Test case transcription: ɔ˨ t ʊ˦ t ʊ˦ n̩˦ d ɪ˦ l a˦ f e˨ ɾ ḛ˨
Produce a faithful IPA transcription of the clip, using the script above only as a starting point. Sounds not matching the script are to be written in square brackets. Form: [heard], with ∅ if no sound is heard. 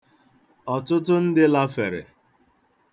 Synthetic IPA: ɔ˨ t ʊ˦ t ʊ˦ n̩˦ d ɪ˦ l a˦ f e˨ ɾ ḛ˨